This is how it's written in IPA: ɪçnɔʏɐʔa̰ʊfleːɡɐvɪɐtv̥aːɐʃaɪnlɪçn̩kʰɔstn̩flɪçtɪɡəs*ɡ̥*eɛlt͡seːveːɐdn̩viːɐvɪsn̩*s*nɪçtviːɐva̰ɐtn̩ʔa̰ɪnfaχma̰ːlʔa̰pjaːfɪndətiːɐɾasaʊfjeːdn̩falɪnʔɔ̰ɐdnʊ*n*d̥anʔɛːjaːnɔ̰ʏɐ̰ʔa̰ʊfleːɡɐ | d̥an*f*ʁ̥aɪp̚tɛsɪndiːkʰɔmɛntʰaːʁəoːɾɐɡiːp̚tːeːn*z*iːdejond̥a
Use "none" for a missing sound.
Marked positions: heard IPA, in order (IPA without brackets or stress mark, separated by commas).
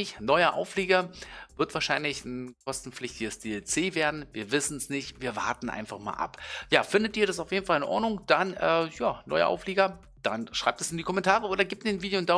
d̥, s, ŋ, ʃ, v